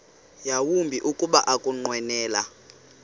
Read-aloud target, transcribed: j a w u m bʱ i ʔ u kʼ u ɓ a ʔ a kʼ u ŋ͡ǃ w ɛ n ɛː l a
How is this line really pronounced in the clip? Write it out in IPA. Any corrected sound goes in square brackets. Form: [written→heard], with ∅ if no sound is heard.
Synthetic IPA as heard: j a w u m bʱ i ʔ u kʼ u ɓ a ʔ a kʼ u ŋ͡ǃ w ɛ n ɛː l a